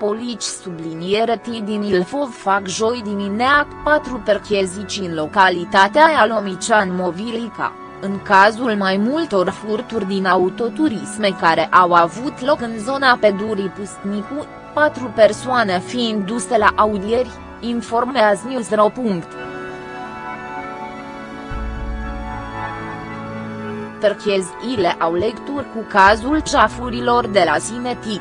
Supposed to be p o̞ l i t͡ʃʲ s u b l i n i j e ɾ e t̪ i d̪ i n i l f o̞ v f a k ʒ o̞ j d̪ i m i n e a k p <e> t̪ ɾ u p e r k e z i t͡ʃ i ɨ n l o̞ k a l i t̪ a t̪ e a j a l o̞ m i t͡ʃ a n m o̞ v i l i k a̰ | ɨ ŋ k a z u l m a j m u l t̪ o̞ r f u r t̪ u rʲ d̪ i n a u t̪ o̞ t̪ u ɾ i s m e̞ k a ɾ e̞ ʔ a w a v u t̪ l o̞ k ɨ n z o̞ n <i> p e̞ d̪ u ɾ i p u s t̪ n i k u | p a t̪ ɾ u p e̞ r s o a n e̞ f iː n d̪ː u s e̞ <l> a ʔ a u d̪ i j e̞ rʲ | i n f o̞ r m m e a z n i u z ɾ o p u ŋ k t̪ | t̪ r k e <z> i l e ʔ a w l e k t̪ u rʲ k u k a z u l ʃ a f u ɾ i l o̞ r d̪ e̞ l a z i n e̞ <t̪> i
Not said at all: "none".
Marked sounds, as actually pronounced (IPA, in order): a, a, l, z, t̪

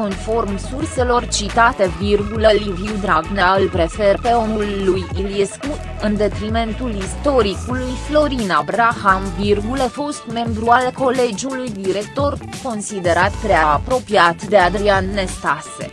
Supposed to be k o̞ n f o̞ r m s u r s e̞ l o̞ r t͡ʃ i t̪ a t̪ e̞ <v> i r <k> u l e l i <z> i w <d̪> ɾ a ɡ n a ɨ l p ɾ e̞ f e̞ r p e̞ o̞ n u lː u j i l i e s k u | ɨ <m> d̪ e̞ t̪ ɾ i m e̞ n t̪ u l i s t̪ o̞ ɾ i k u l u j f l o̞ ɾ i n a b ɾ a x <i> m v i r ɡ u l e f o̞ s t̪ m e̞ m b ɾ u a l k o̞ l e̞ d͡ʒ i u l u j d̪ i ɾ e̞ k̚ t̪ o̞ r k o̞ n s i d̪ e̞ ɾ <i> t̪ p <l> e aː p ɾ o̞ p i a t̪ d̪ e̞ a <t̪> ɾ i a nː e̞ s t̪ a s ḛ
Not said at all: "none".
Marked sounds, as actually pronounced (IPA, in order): v, ɡ, v, d̪, n, a, a, ɾ, d̪

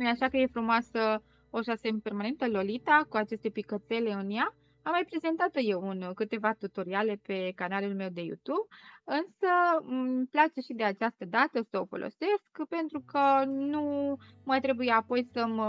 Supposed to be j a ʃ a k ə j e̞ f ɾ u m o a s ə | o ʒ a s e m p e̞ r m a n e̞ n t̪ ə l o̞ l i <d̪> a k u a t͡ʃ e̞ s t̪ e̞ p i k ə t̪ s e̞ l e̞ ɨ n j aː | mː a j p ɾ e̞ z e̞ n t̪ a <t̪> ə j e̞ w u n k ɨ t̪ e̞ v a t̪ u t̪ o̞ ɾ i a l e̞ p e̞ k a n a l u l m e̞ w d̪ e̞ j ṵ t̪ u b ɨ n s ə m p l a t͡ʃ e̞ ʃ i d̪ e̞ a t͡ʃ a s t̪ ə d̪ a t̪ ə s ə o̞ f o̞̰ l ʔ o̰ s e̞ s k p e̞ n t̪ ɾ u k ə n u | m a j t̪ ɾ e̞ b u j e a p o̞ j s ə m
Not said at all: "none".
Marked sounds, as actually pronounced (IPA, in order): t̪, t̪

